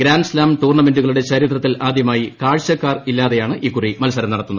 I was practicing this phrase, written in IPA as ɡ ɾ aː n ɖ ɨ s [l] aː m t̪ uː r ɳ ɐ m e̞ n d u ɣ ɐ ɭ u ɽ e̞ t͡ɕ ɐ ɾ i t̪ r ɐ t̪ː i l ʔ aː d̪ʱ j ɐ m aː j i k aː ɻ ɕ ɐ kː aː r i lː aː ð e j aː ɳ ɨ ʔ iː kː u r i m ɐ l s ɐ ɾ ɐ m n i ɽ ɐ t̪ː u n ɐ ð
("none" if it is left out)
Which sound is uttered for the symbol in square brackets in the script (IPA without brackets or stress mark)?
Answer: l